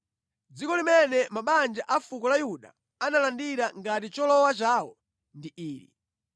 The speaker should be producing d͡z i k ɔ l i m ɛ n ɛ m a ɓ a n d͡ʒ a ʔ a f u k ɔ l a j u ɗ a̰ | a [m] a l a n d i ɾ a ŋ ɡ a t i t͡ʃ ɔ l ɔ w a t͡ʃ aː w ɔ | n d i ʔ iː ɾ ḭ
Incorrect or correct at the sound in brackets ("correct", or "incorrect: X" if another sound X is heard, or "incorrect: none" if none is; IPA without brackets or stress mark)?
incorrect: n